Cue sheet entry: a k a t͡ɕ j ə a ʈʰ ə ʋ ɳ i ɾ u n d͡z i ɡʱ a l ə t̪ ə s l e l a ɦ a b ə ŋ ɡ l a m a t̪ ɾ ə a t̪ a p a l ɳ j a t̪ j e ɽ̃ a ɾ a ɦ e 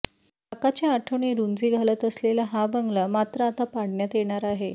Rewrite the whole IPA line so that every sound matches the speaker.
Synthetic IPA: a k a t͡ɕ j a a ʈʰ ə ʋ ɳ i ɾ u n d͡z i ɡʱ a l ə t̪ ə s l e l a ɦ a b ə ŋ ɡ l a m a t̪ ɾ ə a t̪ a p a ɽ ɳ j a t̪ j e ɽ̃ a ɾ a ɦ e

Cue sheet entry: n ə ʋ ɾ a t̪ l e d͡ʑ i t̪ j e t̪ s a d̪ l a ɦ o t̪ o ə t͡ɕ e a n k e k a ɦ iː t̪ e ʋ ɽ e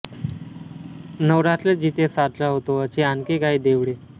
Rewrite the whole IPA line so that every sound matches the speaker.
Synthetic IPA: n ə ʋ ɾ a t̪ l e d͡ʑ i t̪ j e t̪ s a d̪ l a ɦ o t̪ o ə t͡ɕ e a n k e k a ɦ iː d̪ e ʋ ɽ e

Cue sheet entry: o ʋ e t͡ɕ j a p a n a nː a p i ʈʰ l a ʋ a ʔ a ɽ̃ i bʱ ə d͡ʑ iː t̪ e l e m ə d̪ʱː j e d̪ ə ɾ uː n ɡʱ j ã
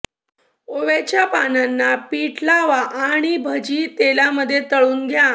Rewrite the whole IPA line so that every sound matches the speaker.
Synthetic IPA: o ʋ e t͡ɕ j a p a n a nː a p i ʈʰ l a ʋ a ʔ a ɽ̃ i bʱ ə d͡ʑ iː t̪ e l a m ə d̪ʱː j e t̪ ə ɭ uː n ɡʱ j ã

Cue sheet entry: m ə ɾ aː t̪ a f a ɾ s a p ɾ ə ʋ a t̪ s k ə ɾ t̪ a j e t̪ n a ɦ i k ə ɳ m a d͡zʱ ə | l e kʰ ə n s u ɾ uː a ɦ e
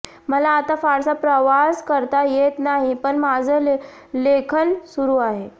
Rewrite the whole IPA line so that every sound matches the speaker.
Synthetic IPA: m ə l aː t̪ a f a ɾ s a p ɾ ə ʋ a s k ə ɾ t̪ a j e t̪ n a ɦ i p ə ɳ m a d͡zʱ ə | l e kʰ ə n s u ɾ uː a ɦ e

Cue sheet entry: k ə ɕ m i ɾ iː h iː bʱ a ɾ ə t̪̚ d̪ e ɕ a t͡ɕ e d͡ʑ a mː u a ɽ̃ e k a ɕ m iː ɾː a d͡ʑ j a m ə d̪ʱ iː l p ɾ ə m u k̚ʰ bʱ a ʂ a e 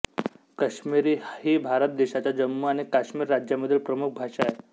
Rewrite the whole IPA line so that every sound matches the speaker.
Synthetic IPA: k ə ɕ m i ɾ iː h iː bʱ a ɾ ə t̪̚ d̪ e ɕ a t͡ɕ a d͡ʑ ə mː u a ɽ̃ i k a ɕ m iː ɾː a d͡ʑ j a m ə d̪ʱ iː l p ɾ ə m u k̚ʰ bʱ a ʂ a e

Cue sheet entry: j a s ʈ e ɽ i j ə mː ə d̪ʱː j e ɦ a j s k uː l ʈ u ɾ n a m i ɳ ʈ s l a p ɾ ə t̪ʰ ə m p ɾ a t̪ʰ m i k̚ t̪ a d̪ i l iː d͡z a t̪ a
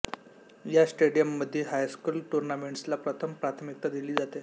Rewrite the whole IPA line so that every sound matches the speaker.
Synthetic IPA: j a s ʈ e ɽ i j ə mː ə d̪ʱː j e ɦ a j s k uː l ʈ u ɾ n a m e ɳ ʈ s l a p ɾ ə t̪ʰ ə m p ɾ a t̪ʰ m i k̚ t̪ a d̪ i l iː d͡z a t̪ e

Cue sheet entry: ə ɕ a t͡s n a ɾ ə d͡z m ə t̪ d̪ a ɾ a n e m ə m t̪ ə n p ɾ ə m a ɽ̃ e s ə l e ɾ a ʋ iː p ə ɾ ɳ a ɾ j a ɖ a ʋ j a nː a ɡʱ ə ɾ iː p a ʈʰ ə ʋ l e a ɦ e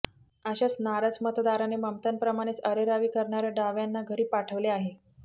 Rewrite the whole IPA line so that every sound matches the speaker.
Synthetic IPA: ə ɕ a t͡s n a ɾ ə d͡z m ə t̪ d̪ a ɾ a n e m ə m t̪ ə n p ɾ ə m a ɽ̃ e t͡s ə ɾ e ɾ a ʋ iː k ə ɾ ɳ a ɾ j a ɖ a ʋ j a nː a ɡʱ ə ɾ iː p a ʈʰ ə ʋ l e a ɦ e

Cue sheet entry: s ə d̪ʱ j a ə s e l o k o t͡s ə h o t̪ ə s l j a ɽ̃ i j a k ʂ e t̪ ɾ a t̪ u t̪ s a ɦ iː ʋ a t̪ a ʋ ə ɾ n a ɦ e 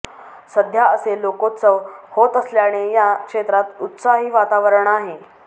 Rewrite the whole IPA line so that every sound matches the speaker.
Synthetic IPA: s ə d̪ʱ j a ə s e l o k o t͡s ə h o t̪ ə s l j a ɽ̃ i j a k ʂ e t̪ ɾ a t̪ u t̪ s a ɦ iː ʋ a t̪ a ʋ ə ɾ ɳ a ɦ e

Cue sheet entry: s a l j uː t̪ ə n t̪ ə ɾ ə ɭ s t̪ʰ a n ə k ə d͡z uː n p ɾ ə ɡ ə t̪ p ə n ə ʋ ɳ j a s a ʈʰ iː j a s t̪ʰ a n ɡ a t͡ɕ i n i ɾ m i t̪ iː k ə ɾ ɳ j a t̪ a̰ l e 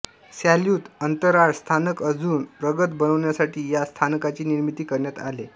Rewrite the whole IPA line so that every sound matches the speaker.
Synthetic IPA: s a l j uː t̪ ə n t̪ ə ɾ a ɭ s t̪ʰ a n ə k ə d͡z uː n p ɾ ə ɡ ə t̪ b ə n ə ʋ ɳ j a s a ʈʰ iː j a s t̪ʰ a n k a t͡ɕ iː n i ɾ m i t̪ iː k ə ɾ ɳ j a t̪ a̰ l e

